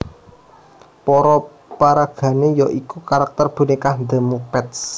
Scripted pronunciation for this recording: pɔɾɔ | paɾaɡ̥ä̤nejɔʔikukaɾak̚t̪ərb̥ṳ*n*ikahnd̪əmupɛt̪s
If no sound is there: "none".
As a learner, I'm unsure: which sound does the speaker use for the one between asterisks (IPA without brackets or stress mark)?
n